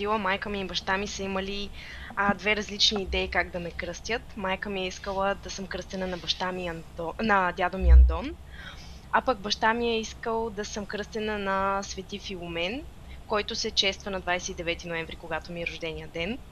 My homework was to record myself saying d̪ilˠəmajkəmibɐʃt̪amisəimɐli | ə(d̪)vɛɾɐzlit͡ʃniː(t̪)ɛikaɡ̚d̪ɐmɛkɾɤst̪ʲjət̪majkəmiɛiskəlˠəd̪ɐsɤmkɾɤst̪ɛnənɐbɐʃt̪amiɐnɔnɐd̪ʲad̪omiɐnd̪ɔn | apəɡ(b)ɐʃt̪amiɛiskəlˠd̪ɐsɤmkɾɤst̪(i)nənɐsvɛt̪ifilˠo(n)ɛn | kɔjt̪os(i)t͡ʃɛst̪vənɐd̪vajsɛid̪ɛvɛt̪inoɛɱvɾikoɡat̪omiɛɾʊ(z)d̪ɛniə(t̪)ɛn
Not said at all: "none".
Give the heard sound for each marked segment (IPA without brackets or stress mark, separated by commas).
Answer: d̪, d̪, b, ɛ, m, ɛ, ʒ, d̪